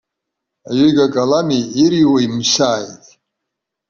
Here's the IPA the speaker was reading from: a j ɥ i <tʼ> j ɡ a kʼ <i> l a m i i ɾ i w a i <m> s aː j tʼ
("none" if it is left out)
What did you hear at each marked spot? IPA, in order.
none, a, m

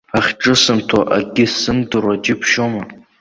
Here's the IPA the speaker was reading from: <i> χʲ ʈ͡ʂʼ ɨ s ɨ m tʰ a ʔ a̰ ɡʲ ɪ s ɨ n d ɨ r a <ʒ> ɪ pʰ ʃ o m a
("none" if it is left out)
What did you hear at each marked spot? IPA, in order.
a, d͡ʒ

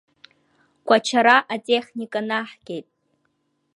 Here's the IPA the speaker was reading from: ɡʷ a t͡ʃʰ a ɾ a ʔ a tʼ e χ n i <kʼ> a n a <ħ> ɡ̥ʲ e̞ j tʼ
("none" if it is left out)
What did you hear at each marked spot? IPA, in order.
kʼ, ħ

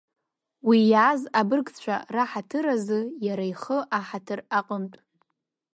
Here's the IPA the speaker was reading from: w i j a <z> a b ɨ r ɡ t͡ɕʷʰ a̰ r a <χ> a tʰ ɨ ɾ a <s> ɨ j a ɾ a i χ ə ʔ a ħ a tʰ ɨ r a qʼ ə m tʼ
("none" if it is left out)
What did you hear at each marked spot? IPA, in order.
z, ħ, z

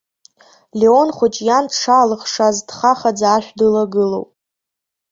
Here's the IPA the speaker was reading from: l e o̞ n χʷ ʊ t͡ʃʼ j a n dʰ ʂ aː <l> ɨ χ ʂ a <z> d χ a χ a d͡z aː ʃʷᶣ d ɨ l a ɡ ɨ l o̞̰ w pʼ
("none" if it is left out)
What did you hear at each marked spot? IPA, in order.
l, z

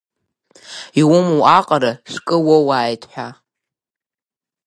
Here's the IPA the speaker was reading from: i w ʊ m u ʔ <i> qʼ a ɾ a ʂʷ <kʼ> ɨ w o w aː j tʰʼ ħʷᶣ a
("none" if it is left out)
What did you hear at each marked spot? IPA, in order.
a, kʼ

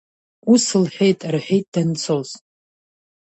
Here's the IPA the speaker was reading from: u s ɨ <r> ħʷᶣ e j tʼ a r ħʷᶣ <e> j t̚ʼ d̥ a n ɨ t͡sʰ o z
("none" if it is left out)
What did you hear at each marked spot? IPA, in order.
l, e

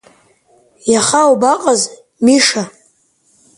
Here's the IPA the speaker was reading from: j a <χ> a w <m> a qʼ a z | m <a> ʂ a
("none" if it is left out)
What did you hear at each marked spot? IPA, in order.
χ, b, i

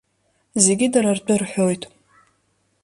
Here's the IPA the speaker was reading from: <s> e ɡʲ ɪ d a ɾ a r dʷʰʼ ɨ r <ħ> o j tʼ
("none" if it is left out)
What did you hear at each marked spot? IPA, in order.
z, ħ

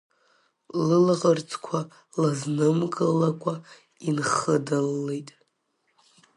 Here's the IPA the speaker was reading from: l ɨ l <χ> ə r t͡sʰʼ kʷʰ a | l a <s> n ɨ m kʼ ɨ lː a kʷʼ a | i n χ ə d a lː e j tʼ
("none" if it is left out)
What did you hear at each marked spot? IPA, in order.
ʁ, z

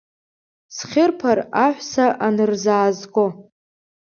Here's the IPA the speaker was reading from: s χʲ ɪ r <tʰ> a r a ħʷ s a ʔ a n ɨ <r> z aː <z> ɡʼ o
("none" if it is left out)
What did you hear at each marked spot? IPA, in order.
pʰ, r, z

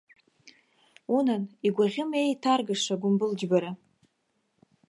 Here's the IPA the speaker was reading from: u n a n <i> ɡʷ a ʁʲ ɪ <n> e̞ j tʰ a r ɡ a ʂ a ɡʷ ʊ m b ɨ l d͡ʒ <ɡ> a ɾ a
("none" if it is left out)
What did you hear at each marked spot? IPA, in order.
i, m, b

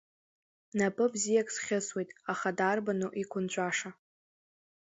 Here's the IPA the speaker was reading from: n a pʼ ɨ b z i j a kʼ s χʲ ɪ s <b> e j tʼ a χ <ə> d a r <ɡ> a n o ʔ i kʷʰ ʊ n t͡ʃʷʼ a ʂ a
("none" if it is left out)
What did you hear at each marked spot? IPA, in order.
w, a, b

